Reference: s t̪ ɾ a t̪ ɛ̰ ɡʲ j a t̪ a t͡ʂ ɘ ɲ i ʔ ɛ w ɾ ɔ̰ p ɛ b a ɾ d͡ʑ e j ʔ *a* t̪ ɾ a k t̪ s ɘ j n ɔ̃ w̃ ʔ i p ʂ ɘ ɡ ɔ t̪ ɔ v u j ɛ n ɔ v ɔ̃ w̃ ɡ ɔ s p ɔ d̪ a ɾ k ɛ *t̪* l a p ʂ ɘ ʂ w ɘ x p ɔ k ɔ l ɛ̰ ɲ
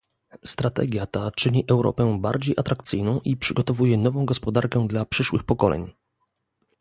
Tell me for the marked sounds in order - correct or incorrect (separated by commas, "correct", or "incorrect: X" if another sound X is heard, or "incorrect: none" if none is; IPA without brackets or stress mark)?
correct, incorrect: d̪